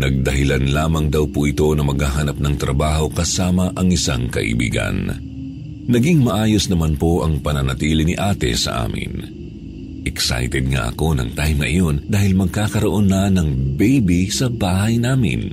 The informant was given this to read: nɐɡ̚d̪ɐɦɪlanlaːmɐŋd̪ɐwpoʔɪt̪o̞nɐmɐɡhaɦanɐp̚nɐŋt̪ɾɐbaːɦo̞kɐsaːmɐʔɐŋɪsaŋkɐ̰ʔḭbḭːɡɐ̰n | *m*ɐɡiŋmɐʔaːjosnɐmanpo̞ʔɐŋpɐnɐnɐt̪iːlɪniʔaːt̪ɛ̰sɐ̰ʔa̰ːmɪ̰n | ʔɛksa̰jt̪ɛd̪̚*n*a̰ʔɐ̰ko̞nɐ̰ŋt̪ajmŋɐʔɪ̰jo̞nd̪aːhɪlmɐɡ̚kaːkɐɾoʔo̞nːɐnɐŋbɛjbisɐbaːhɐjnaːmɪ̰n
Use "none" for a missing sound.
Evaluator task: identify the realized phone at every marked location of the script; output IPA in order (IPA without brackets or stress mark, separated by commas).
n, ŋ